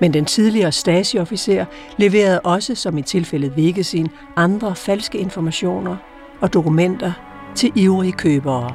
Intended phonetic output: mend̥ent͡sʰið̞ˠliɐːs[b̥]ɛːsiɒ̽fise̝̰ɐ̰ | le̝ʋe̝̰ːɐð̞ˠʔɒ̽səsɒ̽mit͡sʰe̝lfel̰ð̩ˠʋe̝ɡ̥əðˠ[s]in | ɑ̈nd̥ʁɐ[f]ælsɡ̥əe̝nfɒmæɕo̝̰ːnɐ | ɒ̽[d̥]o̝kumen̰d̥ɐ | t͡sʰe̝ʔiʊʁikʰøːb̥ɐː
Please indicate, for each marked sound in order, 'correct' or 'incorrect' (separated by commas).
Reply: incorrect, correct, correct, correct